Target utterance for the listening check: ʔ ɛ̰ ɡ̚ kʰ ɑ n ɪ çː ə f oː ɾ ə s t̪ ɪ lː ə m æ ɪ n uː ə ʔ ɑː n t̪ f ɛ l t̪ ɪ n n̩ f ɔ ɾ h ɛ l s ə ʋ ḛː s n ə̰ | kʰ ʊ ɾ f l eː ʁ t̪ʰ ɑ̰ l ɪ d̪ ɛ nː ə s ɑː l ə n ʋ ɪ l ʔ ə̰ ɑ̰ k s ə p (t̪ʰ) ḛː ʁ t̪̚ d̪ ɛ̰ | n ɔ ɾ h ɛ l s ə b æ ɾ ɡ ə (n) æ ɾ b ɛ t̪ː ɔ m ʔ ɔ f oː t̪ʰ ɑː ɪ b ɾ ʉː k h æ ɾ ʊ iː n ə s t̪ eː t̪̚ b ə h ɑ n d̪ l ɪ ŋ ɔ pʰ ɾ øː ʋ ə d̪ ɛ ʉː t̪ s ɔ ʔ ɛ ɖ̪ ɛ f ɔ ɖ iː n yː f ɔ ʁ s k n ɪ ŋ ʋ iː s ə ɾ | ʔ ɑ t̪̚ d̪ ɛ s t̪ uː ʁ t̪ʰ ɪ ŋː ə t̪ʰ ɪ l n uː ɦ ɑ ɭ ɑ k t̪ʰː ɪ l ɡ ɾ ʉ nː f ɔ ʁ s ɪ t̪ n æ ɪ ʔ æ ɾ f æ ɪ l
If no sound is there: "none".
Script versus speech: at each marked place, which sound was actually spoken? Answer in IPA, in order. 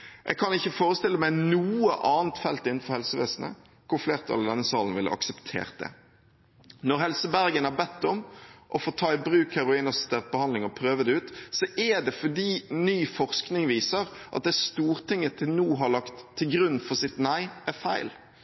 t̪ʰ, n

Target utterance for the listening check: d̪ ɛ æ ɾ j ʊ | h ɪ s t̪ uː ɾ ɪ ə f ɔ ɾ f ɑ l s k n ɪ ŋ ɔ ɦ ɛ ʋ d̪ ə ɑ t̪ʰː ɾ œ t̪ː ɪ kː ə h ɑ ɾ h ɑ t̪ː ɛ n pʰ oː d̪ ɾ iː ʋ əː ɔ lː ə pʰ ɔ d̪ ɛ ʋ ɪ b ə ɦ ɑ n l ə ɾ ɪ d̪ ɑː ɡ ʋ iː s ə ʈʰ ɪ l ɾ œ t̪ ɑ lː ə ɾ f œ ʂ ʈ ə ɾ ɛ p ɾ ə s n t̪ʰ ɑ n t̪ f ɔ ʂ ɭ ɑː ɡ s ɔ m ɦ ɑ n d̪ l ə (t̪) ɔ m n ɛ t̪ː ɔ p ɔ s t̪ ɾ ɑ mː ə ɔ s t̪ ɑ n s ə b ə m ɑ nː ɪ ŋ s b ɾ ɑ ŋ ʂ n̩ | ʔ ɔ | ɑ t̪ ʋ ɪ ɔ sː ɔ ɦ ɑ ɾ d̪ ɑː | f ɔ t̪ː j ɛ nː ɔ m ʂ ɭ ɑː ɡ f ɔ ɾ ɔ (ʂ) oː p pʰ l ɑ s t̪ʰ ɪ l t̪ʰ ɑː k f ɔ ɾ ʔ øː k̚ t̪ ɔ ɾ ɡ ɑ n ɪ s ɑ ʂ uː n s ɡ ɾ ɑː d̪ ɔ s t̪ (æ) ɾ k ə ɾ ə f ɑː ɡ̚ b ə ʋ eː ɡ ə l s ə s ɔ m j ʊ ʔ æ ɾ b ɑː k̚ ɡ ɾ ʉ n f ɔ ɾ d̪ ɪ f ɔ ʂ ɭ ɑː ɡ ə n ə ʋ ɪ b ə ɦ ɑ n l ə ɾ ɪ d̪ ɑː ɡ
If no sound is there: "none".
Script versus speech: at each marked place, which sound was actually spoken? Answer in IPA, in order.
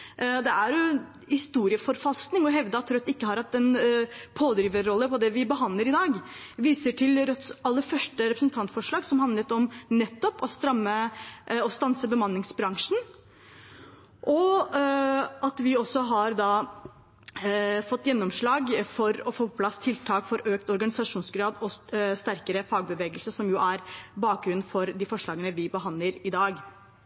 t̪, f, æ

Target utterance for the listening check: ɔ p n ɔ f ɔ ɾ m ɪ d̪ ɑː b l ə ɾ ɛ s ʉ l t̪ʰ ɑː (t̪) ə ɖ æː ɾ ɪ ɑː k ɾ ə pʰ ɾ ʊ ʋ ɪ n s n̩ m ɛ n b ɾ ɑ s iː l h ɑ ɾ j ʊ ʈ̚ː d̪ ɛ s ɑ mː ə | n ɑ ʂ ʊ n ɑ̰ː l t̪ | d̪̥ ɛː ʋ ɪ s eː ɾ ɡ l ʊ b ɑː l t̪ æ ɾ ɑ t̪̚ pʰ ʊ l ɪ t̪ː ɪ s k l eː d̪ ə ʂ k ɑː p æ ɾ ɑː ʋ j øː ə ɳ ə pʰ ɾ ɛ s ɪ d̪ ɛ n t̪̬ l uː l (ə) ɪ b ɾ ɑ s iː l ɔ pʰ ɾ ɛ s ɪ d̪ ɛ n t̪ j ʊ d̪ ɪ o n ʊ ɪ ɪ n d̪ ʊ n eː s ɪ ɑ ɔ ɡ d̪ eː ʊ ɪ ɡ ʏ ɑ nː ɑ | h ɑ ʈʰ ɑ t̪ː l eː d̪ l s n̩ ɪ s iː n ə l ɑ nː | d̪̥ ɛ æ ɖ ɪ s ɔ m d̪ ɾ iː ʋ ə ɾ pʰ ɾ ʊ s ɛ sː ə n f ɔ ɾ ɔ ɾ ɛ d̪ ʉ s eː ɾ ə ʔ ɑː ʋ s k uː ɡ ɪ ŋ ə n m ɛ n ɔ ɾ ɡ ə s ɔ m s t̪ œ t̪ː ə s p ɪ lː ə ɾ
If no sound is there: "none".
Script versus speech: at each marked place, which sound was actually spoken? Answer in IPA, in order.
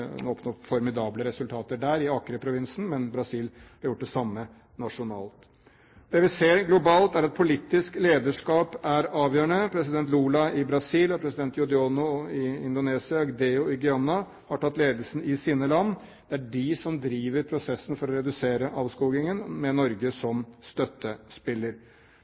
t̪, ɑ

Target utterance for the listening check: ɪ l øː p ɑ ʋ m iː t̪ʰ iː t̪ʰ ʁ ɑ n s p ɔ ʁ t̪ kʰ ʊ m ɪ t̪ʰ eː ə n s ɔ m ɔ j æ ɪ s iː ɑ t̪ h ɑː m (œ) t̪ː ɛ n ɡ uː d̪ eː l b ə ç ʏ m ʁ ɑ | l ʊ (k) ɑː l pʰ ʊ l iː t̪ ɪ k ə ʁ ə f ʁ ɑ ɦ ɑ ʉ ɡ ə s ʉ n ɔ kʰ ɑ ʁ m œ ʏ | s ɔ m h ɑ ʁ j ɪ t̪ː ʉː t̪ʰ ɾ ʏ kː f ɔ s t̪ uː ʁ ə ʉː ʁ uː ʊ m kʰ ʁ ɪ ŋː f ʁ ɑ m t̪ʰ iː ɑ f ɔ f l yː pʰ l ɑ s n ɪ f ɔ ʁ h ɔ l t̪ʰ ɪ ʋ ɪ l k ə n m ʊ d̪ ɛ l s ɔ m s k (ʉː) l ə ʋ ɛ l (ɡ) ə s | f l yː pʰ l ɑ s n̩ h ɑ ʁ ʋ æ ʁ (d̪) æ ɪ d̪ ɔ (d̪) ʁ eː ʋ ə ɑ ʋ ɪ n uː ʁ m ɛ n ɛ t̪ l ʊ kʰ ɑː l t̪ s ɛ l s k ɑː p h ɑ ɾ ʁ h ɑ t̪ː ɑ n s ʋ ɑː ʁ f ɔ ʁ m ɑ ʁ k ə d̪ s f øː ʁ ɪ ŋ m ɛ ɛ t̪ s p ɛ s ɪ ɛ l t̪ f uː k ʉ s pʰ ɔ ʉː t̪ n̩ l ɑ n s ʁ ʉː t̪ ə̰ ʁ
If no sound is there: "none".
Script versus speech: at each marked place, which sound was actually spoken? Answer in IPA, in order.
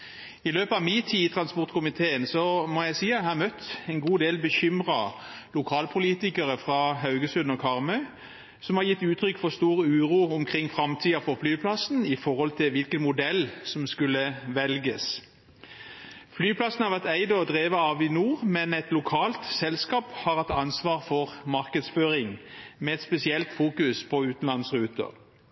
œ, kʰ, ʉ, ɡ, t̪, d̪

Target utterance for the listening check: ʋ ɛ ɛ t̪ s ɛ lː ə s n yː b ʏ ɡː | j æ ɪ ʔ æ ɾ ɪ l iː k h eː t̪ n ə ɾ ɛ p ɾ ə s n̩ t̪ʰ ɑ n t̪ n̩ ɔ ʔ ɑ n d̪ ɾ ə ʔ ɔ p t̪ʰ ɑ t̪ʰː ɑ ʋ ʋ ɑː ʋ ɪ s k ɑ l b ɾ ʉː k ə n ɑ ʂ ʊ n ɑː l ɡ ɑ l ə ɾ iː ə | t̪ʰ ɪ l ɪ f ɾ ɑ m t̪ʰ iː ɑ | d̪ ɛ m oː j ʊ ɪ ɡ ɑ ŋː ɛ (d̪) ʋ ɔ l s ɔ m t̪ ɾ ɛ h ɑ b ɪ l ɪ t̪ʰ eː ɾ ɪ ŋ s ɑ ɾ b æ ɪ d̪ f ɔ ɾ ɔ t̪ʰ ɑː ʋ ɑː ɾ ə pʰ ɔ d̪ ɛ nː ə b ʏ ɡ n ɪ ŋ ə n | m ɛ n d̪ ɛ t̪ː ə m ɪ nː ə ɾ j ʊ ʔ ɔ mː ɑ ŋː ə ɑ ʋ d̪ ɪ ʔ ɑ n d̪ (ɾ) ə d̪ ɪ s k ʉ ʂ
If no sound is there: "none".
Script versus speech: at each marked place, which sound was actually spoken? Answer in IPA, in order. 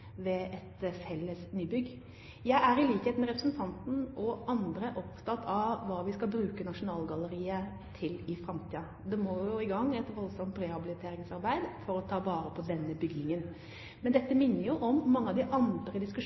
t̪, ɾ

